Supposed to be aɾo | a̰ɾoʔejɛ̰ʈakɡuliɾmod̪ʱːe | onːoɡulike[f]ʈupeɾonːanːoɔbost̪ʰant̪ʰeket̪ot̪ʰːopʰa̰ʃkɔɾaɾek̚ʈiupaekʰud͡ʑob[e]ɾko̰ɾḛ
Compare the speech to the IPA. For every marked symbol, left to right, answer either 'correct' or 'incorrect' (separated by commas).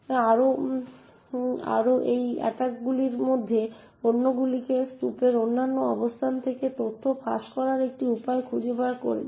incorrect, incorrect